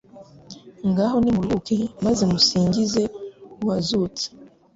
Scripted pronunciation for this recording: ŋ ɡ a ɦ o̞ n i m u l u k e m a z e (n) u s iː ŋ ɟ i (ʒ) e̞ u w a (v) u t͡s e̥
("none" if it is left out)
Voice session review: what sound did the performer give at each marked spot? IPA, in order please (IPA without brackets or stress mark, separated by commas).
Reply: m, z, z